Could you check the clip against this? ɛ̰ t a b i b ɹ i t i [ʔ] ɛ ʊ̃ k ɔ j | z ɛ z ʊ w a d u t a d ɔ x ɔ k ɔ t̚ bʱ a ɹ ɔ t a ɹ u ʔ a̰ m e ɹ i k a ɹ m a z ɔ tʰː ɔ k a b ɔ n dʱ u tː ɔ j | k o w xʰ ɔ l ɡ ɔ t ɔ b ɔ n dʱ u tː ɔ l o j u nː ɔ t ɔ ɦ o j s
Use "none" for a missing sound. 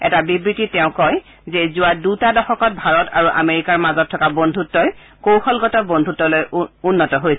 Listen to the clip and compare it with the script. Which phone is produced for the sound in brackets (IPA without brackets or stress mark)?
t